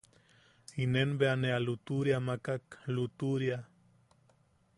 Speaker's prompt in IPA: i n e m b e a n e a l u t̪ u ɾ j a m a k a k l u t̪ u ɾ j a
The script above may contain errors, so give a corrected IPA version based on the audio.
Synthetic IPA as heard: i n e n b e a n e a l u t̪ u ɾ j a m a k a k l u t̪ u ɾ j a